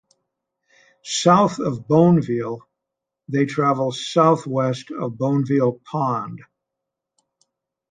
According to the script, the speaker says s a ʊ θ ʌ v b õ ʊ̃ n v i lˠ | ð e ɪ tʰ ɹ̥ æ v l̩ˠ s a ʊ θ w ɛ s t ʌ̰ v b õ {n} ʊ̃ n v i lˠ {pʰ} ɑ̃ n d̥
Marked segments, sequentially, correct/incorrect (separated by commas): incorrect, correct